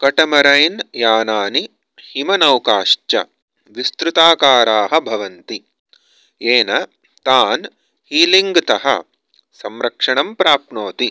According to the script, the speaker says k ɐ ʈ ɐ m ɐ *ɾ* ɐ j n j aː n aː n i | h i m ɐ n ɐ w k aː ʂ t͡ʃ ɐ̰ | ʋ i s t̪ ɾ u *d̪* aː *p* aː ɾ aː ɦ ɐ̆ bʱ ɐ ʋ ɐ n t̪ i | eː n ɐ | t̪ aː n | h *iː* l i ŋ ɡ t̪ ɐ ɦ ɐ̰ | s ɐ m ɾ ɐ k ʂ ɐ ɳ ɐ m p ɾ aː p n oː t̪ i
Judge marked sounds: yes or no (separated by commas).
yes, no, no, yes